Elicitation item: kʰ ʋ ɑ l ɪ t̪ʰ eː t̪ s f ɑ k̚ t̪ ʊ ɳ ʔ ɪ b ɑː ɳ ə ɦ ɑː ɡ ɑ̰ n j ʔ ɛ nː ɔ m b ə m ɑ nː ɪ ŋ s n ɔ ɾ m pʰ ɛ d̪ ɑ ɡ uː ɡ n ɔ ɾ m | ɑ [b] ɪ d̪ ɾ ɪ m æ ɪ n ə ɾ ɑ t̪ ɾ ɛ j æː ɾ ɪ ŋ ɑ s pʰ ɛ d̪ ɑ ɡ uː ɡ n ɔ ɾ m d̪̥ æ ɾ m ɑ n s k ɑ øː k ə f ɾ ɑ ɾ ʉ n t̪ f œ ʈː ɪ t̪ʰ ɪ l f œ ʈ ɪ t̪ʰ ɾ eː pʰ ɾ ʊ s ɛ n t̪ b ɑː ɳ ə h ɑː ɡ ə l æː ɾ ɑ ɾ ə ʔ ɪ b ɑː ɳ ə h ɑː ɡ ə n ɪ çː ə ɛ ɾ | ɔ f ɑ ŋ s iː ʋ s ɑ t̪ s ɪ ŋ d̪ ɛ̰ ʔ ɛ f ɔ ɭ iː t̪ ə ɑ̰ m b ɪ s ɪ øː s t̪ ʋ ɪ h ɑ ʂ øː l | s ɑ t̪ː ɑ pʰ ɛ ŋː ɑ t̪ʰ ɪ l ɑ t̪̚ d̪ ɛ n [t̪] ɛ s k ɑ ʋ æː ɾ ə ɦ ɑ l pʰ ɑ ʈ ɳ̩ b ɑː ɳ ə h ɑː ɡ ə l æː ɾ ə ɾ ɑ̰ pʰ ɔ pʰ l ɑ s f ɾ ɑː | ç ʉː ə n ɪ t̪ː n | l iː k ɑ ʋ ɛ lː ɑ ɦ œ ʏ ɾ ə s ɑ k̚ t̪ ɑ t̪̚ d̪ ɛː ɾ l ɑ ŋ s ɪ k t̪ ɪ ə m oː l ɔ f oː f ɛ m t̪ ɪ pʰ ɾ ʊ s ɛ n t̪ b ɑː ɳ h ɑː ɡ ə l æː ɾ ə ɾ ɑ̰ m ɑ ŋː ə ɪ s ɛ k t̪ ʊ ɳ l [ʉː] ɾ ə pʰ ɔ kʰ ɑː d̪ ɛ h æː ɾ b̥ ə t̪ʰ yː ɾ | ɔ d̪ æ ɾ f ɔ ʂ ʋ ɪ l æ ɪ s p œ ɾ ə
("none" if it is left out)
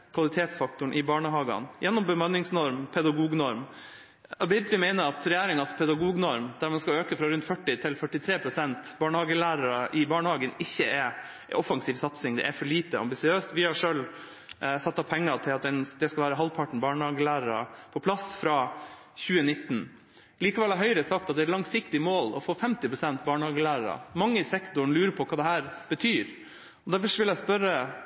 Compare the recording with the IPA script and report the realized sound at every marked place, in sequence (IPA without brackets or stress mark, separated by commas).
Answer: b, d̪, ʉː